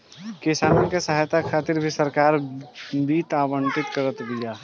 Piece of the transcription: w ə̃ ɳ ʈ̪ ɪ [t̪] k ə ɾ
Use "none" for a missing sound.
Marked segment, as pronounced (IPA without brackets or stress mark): t̪